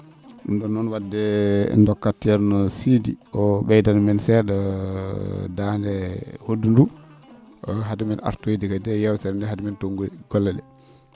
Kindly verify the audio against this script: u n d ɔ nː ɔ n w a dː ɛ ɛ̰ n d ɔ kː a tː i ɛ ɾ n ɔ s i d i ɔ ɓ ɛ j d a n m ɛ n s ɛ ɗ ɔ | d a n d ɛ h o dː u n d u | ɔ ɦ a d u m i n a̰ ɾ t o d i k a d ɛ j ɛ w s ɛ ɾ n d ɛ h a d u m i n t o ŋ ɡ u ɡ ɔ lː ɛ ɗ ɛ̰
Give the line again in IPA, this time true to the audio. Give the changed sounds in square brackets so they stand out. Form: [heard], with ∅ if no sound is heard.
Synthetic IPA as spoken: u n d ɔ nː ɔ n w a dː ɛ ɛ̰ n d ɔ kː a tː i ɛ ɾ n ɔ s i d i ɔ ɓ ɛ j d a n m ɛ n s ɛ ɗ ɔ | d a n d ɛ h o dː u n d u | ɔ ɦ a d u m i n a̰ ɾ t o d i k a d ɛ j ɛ w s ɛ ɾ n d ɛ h a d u m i n t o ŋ ɡ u ɡ ɔ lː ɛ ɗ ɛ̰